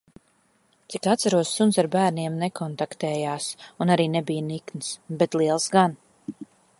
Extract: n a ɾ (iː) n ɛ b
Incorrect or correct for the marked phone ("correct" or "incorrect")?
correct